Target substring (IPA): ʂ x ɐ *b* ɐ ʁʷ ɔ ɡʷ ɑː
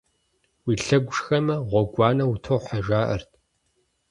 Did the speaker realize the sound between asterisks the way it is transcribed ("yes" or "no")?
no